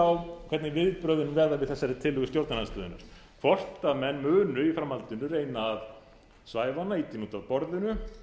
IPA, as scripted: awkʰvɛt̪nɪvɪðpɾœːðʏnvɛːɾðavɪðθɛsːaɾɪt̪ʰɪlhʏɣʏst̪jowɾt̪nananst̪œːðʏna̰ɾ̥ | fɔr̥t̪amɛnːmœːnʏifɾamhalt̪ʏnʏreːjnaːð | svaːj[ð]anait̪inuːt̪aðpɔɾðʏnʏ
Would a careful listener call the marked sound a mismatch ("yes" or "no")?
yes